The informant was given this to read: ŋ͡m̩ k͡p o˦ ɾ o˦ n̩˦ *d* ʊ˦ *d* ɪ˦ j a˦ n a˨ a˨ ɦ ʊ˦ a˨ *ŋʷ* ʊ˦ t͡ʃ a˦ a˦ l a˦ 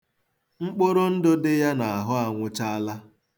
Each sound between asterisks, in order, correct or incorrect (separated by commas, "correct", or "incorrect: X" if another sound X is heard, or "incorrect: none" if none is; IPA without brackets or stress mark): correct, correct, correct